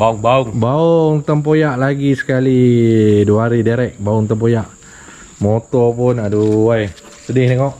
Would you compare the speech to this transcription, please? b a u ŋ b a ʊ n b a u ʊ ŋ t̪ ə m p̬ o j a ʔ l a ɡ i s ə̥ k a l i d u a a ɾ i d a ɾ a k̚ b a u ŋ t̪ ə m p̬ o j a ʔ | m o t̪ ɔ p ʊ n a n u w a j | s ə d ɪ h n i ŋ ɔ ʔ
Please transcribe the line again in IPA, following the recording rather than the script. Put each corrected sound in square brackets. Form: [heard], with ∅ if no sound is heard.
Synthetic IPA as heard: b a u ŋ b a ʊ [ŋ] b a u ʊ ŋ t̪ ə m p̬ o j a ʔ l a ɡ i s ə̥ k a l i d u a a ɾ i d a ɾ [ɛ] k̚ b a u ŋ t̪ ə m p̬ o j a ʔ | m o t̪ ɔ p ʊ n a [d] u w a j | s ə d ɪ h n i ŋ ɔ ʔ